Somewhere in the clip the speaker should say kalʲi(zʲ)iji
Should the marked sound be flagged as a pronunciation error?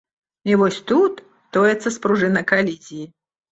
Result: no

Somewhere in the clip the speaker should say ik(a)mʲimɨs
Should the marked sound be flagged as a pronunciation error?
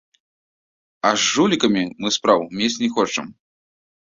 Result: yes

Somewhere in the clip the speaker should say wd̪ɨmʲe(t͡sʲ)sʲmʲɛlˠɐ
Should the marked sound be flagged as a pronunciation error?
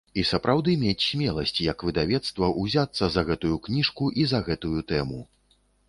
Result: no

